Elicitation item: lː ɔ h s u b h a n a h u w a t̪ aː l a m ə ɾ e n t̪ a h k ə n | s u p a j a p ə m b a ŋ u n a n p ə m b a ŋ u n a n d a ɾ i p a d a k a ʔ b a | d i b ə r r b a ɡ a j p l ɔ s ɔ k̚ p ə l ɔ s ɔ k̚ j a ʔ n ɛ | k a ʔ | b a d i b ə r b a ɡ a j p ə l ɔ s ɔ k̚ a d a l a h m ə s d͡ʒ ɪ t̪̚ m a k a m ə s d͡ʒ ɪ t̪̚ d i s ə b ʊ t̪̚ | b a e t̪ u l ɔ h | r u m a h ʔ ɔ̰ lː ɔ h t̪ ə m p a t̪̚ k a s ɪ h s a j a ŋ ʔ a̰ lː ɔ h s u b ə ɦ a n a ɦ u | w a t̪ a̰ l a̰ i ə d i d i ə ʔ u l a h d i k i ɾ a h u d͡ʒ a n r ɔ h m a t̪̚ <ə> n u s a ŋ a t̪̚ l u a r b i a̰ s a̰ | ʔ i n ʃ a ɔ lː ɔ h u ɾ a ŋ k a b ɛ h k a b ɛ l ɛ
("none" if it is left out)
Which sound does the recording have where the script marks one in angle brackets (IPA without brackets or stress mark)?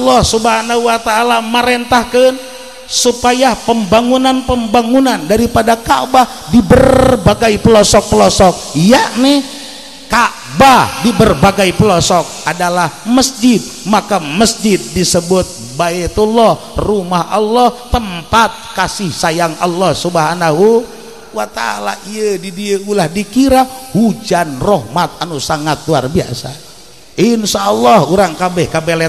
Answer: a